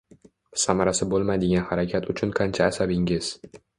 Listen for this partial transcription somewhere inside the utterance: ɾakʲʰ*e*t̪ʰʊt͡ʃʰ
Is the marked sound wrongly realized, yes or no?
yes